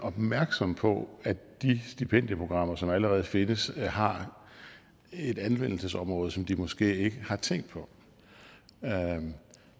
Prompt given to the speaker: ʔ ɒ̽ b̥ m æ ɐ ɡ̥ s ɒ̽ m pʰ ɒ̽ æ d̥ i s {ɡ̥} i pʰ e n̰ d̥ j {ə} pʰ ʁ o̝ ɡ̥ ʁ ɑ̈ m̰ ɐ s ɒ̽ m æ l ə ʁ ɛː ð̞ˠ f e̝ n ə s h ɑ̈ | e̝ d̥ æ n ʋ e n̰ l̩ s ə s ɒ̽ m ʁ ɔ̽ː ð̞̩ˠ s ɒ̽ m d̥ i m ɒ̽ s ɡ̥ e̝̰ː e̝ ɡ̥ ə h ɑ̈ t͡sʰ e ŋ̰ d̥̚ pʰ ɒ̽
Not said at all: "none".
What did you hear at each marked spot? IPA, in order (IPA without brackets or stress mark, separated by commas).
d̥, ə